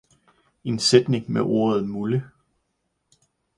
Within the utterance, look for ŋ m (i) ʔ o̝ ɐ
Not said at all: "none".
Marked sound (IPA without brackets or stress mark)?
e